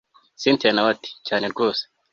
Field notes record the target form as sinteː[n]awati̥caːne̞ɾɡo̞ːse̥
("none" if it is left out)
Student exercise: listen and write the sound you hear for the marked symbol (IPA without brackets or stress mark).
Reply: n